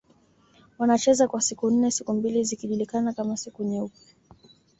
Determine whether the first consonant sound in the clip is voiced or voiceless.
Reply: voiced